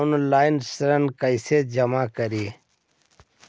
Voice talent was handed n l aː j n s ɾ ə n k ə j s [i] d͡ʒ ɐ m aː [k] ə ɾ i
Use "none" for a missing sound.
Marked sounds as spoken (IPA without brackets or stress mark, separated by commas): e, k